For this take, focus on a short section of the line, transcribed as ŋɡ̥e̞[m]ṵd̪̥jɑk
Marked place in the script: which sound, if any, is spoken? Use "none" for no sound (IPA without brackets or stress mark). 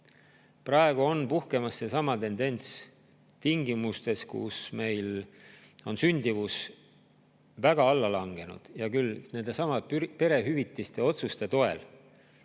n